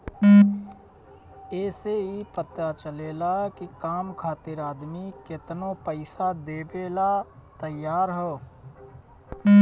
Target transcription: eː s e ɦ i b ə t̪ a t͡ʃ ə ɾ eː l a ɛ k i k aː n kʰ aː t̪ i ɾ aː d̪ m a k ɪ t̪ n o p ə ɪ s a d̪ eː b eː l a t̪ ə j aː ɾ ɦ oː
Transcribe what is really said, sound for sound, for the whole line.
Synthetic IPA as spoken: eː s e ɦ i p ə t̪ a t͡ʃ ə l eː l a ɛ k i k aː m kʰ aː t̪ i ɾ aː d̪ m i k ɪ t̪ n o p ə ɪ s a d̪ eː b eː l a t̪ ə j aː ɾ ɦ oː